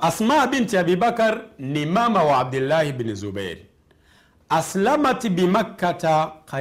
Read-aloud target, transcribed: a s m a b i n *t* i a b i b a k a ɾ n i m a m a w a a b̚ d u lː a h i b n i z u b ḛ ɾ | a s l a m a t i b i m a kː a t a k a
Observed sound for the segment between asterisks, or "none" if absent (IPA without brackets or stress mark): t